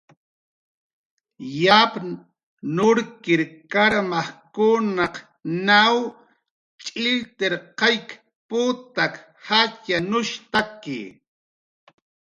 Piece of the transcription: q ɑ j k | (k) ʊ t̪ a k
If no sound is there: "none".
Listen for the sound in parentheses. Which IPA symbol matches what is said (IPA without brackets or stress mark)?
p